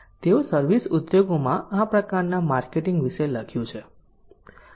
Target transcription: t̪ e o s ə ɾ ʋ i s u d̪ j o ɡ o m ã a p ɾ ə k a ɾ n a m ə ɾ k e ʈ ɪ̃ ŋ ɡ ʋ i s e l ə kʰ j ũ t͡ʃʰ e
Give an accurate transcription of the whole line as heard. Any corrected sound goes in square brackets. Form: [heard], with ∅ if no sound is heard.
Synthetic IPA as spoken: t̪ e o s ə ɾ ʋ i s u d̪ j o ɡ o m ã a p ɾ ə k a ɾ n a m [a] ɾ k e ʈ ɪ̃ ŋ ɡ ʋ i [ʃ] e l ə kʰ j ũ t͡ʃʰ e